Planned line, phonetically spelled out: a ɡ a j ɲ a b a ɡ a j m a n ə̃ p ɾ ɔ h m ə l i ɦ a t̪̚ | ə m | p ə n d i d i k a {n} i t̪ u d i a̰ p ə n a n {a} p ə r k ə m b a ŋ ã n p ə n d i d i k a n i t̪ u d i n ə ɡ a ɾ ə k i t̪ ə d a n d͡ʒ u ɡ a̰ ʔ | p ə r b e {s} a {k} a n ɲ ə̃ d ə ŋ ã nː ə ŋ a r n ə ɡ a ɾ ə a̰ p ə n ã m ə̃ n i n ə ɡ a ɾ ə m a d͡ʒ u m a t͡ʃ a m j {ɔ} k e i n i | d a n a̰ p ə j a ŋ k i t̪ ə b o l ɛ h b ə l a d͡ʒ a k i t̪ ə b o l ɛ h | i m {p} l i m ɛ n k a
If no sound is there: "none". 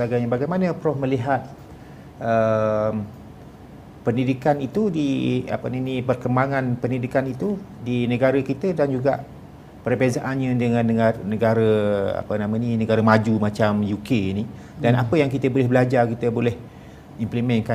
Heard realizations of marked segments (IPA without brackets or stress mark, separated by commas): n, i, z, ʔ, u, p